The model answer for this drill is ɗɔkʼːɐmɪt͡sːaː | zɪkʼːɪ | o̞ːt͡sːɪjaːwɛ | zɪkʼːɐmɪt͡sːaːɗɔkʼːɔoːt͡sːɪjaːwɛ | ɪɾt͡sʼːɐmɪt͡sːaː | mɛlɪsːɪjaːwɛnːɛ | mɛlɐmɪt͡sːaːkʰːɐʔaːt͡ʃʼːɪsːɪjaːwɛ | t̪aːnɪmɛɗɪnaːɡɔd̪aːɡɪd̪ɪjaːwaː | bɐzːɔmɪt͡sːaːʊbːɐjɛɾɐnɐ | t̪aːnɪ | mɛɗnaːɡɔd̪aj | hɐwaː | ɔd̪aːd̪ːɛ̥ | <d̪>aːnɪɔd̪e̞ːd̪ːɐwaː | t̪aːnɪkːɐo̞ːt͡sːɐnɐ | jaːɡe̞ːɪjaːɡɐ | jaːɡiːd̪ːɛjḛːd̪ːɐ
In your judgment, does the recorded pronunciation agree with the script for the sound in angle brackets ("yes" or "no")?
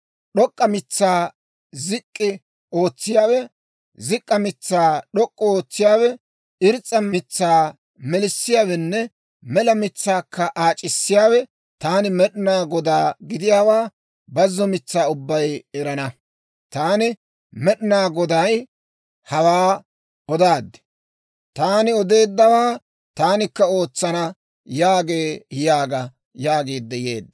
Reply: no